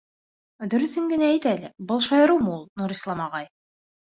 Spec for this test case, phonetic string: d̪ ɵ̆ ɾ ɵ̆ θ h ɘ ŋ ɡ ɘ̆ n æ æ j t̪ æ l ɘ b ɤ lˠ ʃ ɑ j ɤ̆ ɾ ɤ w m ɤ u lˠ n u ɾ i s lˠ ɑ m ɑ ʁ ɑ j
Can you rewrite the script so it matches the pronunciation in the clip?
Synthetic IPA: d̪ ɵ̆ ɾ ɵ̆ θ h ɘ ŋ ɡ ɘ̆ n æ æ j t̪ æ l ɘ b ɤ lˠ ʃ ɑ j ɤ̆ ɾ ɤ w m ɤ u lˠ n u ɾ i s lˠ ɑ m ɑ ʁ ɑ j

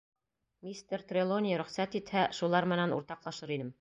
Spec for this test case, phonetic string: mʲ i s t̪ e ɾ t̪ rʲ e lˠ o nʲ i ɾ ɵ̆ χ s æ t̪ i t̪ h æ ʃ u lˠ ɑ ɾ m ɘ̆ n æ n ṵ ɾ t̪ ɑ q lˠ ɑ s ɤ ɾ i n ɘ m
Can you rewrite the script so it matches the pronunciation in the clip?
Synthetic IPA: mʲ i s t̪ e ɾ t̪ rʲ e lˠ o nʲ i ɾ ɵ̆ χ s æ t̪ i t̪ h æ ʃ u lˠ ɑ ɾ m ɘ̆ n æ n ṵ ɾ t̪ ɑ q lˠ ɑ ʃ ɤ ɾ i n ɘ m

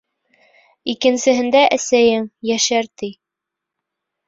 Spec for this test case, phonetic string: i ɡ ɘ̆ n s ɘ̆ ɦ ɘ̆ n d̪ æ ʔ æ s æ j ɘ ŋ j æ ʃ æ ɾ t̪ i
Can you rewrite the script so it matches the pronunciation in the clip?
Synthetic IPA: i k ɘ̆ n s ɘ̆ ɦ ɘ̆ n d̪ æ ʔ æ s æ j ɘ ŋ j æ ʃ æ ɾ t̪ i

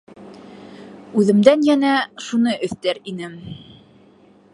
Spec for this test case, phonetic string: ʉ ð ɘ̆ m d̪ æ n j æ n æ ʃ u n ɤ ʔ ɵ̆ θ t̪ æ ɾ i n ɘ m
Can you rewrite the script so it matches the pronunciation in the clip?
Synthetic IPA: ʉ ð ɘ̆ m d̪ æ n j æ n æ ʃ u n ɤ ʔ ɵ̆ θ t̪ æ ɾ i n ɘ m

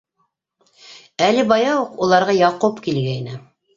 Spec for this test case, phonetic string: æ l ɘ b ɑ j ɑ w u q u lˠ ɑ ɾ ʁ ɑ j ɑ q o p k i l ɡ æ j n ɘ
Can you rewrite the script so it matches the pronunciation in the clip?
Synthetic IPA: æ l ɘ b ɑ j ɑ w u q u lˠ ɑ ɾ ʁ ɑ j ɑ q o p k i l ɡ æ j n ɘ

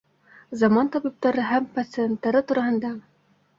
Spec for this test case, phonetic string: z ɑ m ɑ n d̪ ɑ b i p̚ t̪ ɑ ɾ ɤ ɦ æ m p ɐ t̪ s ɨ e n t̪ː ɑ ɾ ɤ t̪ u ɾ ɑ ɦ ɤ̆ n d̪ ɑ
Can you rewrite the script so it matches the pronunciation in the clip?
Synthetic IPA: z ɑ m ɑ n t̪ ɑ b i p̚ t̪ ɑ ɾ ɤ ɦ æ m p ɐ t̪ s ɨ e n t̪ː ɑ ɾ ɤ t̪ u ɾ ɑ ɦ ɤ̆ n d̪ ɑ

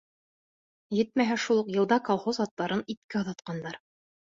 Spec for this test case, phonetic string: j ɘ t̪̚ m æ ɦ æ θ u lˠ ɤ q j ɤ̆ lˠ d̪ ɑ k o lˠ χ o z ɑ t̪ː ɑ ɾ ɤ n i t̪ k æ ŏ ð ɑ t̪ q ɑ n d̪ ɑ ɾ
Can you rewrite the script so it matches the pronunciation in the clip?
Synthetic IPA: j ɘ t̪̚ m æ ɦ æ ʃ u lˠ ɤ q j ɤ̆ lˠ d̪ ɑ k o lˠ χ o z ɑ t̪ː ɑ ɾ ɤ n i t̪ k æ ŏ ð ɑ t̪ q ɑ n d̪ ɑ ɾ

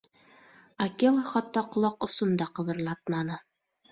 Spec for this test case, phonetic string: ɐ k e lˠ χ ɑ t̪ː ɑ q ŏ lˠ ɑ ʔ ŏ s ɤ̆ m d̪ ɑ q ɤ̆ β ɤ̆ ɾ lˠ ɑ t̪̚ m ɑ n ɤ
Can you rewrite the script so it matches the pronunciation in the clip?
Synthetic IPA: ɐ k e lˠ χ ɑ t̪ː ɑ q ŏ lˠ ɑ q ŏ s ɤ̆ n d̪ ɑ q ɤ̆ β ɤ̆ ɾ lˠ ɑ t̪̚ m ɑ n ɤ

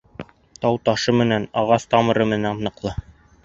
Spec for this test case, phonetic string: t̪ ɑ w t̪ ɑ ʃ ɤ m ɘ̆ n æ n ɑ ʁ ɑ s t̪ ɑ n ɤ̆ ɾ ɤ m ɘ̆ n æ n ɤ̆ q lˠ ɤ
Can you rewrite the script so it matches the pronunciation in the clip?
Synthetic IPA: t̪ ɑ w t̪ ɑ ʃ ɤ m ɘ̆ n æ n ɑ ʁ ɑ s t̪ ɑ m ɤ̆ ɾ ɤ m ɘ̆ n æ n ɤ̆ q lˠ ɤ

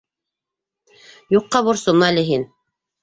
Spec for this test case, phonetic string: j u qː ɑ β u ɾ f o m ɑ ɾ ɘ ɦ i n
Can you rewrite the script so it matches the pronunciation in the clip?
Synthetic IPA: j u qː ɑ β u ɾ s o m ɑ l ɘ ɦ i n

